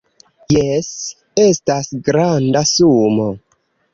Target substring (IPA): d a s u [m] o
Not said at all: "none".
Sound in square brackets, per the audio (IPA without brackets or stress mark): m